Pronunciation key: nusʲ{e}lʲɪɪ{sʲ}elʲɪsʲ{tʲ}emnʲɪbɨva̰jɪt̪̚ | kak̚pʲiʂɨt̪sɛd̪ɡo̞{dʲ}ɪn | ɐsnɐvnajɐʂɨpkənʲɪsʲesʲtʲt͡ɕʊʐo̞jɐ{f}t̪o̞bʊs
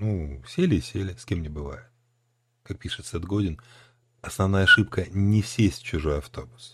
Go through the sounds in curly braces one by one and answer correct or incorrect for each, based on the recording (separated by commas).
correct, correct, incorrect, correct, correct